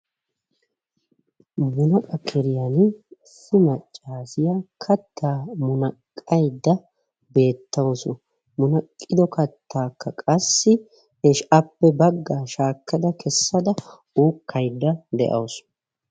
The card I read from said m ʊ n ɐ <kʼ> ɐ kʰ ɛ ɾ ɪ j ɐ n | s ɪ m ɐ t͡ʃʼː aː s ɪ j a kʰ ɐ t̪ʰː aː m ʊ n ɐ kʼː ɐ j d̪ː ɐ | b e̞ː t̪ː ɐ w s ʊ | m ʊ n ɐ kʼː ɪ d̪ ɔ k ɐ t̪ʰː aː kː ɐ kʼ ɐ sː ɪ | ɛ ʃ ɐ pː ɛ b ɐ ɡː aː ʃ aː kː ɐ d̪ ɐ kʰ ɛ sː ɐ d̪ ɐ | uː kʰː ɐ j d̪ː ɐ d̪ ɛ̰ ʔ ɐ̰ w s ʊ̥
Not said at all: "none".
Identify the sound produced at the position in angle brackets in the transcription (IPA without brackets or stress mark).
kʼ